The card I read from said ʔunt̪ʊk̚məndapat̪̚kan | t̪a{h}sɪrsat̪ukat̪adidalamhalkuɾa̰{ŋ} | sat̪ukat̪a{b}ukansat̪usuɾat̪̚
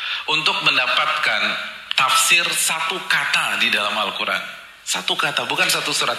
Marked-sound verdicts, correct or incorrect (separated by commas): incorrect, incorrect, correct